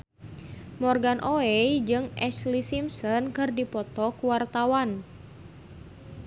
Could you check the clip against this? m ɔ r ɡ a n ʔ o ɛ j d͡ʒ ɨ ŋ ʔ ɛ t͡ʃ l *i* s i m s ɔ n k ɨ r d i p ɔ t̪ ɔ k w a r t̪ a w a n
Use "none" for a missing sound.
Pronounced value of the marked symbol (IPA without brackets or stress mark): i